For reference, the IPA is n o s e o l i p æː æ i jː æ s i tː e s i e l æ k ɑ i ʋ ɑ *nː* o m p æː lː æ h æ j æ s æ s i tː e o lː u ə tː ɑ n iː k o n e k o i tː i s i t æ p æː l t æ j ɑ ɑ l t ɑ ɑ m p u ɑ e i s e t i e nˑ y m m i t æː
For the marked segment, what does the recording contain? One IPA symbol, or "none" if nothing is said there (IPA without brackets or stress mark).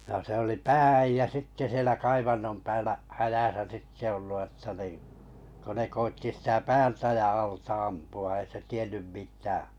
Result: nː